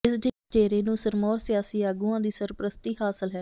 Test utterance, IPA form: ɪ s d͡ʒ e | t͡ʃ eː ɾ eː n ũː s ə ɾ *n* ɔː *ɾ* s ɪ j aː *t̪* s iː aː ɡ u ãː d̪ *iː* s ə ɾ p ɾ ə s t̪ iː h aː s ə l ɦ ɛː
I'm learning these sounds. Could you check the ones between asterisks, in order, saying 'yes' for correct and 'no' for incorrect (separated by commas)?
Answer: no, yes, no, yes